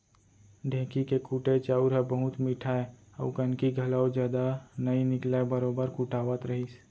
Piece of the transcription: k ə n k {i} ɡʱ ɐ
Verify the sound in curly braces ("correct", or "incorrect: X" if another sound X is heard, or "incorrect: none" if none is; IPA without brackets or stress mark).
correct